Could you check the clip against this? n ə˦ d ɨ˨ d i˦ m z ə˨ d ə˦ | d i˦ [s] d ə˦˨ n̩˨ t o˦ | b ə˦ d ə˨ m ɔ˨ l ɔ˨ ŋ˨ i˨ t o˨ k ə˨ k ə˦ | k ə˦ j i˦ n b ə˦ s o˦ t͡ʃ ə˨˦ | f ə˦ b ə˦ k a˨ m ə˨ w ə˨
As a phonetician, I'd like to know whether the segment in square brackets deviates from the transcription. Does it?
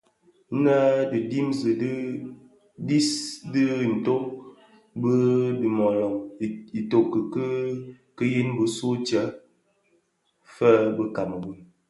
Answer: no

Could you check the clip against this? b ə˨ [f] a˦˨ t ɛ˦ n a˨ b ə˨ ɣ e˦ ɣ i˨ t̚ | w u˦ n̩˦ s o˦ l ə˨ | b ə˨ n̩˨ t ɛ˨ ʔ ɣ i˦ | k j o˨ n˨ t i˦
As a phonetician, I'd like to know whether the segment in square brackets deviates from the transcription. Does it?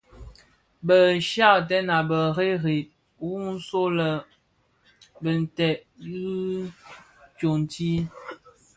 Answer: yes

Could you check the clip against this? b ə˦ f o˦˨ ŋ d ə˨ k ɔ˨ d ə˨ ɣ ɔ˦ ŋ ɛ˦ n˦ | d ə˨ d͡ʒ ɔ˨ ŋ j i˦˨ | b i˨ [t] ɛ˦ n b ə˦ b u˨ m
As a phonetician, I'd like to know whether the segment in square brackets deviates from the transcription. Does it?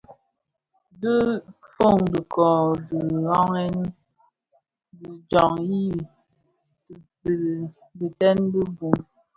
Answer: no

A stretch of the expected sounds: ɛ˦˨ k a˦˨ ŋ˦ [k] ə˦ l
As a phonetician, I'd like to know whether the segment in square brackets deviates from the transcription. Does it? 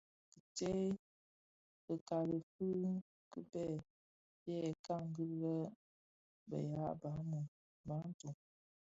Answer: yes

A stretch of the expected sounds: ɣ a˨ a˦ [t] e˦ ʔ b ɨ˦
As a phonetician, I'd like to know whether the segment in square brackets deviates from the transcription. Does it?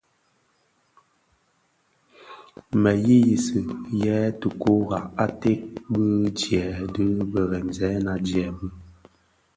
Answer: no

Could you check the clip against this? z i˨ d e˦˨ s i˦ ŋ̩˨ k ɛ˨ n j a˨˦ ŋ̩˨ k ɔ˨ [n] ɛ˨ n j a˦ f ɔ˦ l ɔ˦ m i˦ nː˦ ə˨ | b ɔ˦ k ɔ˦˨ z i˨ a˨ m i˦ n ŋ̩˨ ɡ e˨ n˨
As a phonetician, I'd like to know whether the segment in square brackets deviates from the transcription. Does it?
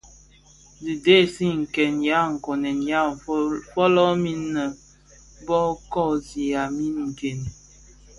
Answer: no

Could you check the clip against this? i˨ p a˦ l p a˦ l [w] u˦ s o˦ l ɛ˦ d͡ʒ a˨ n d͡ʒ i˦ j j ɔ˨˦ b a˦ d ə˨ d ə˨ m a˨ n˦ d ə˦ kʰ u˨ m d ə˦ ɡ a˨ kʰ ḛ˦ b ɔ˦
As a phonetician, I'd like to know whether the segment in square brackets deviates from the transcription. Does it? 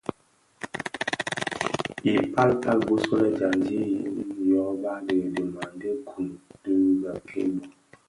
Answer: yes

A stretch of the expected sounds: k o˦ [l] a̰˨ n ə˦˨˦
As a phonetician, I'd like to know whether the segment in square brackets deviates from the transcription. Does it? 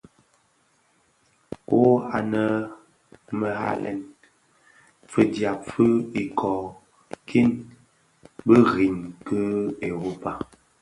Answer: yes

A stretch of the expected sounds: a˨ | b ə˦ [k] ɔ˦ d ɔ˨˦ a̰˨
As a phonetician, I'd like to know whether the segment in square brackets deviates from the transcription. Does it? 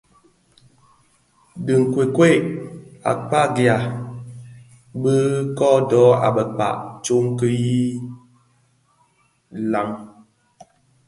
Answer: no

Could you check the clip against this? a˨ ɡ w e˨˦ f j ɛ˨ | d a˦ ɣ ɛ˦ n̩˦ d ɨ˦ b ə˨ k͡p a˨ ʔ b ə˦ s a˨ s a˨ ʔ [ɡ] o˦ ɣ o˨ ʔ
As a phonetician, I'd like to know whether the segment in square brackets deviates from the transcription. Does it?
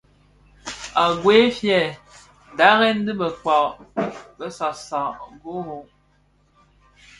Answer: no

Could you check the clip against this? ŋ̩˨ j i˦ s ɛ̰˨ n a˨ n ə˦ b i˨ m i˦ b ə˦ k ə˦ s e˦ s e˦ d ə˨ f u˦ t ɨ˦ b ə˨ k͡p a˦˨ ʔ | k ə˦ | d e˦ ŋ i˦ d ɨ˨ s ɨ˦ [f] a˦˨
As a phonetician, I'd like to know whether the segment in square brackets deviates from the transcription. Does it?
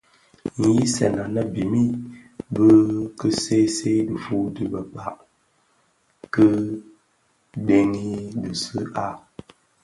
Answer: yes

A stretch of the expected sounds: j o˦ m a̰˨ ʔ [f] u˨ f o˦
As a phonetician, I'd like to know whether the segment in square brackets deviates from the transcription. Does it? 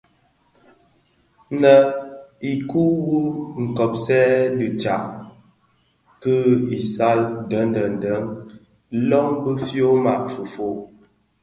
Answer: no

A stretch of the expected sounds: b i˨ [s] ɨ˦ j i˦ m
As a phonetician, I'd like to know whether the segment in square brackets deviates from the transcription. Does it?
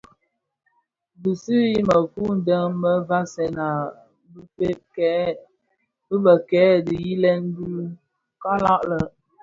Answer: no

